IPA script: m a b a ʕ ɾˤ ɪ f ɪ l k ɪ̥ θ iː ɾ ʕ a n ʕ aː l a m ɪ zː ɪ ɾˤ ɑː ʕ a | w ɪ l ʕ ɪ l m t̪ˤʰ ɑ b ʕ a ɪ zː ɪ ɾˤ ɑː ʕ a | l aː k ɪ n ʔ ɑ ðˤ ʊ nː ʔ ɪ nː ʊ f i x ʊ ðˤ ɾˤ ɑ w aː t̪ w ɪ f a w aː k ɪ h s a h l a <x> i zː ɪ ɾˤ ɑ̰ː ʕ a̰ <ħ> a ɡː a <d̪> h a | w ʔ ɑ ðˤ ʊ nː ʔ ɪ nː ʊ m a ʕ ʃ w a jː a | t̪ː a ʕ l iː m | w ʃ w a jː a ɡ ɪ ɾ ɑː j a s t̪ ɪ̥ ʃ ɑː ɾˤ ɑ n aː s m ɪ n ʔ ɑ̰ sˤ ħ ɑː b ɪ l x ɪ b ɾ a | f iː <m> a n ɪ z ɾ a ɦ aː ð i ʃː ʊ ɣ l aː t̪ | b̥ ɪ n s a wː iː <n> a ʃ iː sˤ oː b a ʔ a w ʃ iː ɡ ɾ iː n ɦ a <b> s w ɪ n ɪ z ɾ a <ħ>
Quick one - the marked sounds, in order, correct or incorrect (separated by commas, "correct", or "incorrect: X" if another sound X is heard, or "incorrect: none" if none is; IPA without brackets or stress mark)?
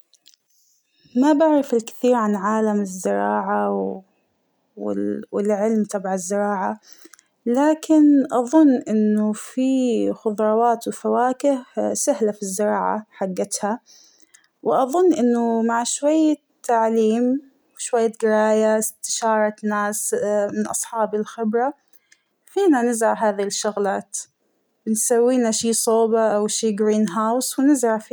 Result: incorrect: f, correct, incorrect: t̪, incorrect: n, correct, incorrect: w, incorrect: f